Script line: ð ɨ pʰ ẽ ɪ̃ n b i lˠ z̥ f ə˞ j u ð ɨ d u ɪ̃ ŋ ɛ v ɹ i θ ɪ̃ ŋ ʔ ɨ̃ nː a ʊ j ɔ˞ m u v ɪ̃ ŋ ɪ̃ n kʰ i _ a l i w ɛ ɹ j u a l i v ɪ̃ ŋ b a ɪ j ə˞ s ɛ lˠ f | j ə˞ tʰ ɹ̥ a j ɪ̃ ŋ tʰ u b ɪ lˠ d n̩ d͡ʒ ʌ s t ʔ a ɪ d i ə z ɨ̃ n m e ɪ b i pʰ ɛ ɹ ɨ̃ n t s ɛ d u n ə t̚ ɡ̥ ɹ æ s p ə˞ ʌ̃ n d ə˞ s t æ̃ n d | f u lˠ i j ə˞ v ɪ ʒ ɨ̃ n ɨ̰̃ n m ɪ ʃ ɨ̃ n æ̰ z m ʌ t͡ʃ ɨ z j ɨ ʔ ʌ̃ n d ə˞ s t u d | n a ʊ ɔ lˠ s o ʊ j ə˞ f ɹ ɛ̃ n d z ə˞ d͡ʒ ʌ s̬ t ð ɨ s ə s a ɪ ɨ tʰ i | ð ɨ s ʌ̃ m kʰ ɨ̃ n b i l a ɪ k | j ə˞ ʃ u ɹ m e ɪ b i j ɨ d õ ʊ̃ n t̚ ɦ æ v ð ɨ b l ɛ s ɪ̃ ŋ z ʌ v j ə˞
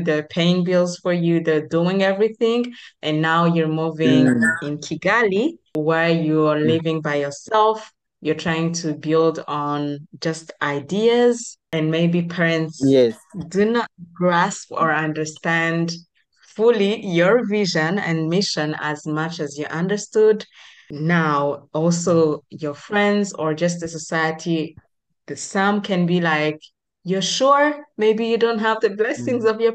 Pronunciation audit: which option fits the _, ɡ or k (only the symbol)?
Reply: ɡ